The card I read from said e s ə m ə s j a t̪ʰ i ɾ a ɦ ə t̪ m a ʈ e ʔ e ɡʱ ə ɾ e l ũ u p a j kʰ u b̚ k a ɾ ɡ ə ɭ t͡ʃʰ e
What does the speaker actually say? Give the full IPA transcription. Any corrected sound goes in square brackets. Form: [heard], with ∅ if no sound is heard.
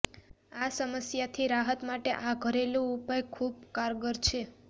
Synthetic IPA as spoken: [a] s ə m ə s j a t̪ʰ i ɾ a ɦ ə t̪ m a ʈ e ʔ [a] ɡʱ ə ɾ e l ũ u p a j kʰ u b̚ k a ɾ ɡ ə [ɾ] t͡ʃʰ e

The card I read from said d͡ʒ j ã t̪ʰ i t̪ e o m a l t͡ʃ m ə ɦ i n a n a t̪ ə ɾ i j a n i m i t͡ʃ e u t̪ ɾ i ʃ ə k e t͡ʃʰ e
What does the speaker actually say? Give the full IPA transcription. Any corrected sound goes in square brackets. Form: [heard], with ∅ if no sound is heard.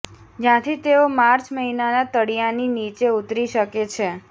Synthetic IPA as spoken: d͡ʒ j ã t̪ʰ i t̪ e o m a [ɾ] t͡ʃ m ə ɦ i n a n a t̪ ə [ɽ] i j a n i [n] i t͡ʃ e u t̪ ɾ i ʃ ə k e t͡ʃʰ e

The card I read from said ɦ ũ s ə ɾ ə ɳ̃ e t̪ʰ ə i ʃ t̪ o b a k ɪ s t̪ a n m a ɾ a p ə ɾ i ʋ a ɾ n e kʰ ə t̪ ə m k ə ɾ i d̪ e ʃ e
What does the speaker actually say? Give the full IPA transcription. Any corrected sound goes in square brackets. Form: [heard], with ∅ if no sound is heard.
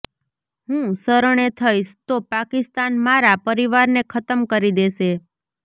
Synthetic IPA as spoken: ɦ ũ s ə ɾ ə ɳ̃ e t̪ʰ ə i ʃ t̪ o [p] a k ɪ s t̪ a n m a ɾ a p ə ɾ i ʋ a ɾ n e kʰ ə t̪ ə m k ə ɾ i d̪ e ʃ e

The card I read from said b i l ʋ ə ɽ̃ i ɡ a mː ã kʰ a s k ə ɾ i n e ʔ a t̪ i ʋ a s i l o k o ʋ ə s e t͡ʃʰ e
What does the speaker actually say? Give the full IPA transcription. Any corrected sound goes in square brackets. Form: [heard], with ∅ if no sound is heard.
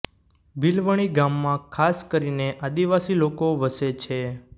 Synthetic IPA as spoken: b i l ʋ ə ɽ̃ i ɡ a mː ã kʰ a s k ə ɾ i n e ʔ a [d̪] i ʋ a s i l o k o ʋ ə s e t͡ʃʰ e

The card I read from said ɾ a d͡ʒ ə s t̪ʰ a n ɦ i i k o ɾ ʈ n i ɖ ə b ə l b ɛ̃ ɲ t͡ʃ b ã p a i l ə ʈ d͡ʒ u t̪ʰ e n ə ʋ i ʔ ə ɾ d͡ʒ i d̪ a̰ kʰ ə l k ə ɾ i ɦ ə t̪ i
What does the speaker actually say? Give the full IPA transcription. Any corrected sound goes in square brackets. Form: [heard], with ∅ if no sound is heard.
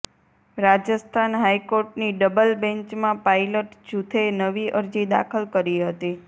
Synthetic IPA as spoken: ɾ a d͡ʒ ə s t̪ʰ a n ɦ [a] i k o ɾ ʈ n i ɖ ə b ə l b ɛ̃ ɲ t͡ʃ [m] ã p a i l ə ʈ d͡ʒ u t̪ʰ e n ə ʋ i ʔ ə ɾ d͡ʒ i d̪ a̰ kʰ ə l k ə ɾ i ɦ ə t̪ i

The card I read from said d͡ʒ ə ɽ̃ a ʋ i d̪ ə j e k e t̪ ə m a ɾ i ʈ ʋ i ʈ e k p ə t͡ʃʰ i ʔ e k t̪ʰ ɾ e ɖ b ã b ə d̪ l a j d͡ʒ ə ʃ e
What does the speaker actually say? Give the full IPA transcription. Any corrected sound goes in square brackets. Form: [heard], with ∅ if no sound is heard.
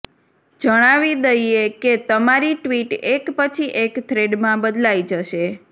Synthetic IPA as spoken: d͡ʒ ə ɽ̃ a ʋ i d̪ ə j e k e t̪ ə m a ɾ i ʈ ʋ i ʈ e k p ə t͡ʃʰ i ʔ e k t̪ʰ ɾ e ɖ [m] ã b ə d̪ l a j d͡ʒ ə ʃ e

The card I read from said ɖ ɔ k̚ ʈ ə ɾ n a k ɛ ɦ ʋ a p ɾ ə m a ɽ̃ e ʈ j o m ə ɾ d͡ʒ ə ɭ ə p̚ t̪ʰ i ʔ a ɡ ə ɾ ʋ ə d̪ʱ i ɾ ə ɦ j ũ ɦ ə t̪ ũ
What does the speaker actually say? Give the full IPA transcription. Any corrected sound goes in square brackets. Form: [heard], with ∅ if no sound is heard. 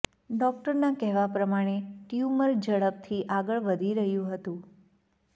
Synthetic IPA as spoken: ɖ ɔ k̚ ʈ ə ɾ n a k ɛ ɦ ʋ a p ɾ ə m a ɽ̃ e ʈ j [u] m ə ɾ d͡ʒ ə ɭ ə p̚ t̪ʰ i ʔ a ɡ ə [ɭ] ʋ ə d̪ʱ i ɾ ə ɦ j ũ ɦ ə t̪ ũ

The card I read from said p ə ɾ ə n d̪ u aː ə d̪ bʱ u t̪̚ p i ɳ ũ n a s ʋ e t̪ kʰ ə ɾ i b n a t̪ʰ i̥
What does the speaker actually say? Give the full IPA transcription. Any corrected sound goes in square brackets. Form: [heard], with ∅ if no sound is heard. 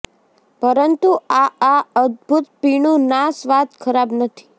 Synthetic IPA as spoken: p ə ɾ ə n [t̪] u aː ə d̪ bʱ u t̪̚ p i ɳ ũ n a s ʋ [a] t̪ kʰ ə ɾ [a] b n [ə] t̪ʰ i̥

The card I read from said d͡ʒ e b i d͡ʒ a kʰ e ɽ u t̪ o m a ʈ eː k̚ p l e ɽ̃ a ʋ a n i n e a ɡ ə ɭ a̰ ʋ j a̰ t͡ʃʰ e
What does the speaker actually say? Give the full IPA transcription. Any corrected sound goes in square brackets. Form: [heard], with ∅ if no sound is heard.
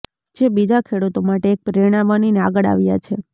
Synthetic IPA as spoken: d͡ʒ e b i d͡ʒ a kʰ e ɽ u t̪ o m a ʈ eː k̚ p [ɾ] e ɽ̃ a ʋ a n i n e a ɡ ə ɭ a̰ ʋ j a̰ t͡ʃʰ e

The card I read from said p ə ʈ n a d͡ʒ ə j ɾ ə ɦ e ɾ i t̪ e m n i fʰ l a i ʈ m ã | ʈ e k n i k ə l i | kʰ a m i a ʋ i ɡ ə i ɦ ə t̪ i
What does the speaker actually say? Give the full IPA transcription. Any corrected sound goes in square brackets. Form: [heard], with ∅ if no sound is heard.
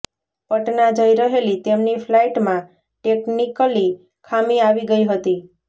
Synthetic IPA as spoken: p ə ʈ n a d͡ʒ ə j ɾ ə ɦ e [l] i t̪ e m n i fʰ l a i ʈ m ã | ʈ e k n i k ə l i | kʰ a m i a ʋ i ɡ ə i ɦ ə t̪ i

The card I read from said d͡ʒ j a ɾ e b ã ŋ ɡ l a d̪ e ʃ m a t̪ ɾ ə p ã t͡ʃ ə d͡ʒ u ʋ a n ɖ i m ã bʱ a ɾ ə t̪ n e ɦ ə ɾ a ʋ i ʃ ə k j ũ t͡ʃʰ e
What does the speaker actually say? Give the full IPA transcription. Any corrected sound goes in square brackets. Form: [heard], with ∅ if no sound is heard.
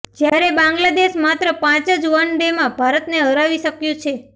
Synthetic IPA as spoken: d͡ʒ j a ɾ e b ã ŋ ɡ l a d̪ e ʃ m a t̪ ɾ ə p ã t͡ʃ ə d͡ʒ u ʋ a n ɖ [e] m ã bʱ a ɾ ə t̪ n e ɦ ə ɾ a ʋ i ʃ ə k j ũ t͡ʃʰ e

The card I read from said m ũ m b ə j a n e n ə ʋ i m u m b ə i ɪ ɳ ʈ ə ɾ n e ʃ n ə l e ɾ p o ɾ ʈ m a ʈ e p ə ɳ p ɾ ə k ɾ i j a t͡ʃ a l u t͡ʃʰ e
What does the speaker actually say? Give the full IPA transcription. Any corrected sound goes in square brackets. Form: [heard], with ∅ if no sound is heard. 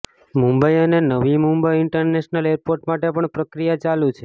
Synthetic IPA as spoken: m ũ m b ə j [ə] n e n ə ʋ i m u m b ə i ɪ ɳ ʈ ə ɾ n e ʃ n ə l e ɾ p o ɾ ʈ m a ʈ e p ə ɳ p ɾ ə k ɾ i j a t͡ʃ a l u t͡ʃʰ e

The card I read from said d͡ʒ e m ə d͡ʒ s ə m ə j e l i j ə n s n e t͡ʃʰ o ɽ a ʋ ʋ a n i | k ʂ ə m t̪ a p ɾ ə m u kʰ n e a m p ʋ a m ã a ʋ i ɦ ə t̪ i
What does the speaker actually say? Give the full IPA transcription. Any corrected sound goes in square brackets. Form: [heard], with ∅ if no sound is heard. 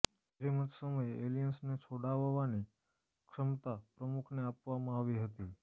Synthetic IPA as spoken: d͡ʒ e m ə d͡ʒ s ə m ə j e l i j ə n s n e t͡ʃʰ o ɽ a ʋ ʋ a n i | k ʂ ə m t̪ a p ɾ ə m u kʰ n e a [∅] p ʋ a m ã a ʋ i ɦ ə t̪ i

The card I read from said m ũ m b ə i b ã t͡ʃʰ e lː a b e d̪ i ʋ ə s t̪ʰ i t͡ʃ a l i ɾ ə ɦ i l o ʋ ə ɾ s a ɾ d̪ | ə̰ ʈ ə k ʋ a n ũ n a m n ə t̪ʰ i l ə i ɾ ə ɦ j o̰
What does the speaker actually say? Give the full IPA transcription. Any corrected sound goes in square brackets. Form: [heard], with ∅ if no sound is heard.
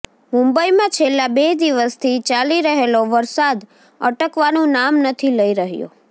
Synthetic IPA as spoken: m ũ m b ə i [m] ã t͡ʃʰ e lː a b e d̪ i ʋ ə s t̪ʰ i t͡ʃ a l i ɾ ə ɦ [e] l o ʋ ə ɾ s a [∅] d̪ | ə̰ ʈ ə k ʋ a n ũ n a m n ə t̪ʰ i l ə i ɾ ə ɦ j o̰

